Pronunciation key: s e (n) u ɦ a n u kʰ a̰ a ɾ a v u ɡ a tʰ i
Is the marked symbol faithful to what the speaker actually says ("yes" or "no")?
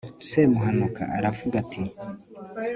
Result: no